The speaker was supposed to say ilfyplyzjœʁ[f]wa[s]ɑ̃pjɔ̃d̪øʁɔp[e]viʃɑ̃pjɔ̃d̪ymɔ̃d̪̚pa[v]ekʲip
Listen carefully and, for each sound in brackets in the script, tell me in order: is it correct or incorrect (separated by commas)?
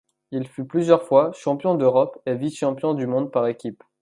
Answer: correct, incorrect, correct, incorrect